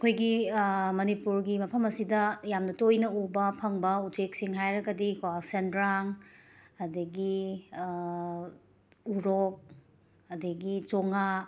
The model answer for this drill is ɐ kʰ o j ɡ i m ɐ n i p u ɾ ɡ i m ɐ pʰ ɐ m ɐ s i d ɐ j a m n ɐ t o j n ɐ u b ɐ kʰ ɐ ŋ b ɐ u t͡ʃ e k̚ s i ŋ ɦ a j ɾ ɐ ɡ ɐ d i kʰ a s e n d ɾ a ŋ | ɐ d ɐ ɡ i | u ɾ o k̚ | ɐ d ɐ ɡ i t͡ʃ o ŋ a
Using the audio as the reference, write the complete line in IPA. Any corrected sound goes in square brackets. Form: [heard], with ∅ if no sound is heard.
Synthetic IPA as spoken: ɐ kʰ o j ɡ i m ɐ n i p u ɾ ɡ i m ɐ pʰ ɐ m ɐ s i d ɐ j a m n ɐ t o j n ɐ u b ɐ [pʰ] ɐ ŋ b ɐ u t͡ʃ e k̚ s i ŋ ɦ a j ɾ ɐ ɡ ɐ d i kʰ a s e n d ɾ a ŋ | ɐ d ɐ ɡ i | u ɾ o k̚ | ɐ d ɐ ɡ i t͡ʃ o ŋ a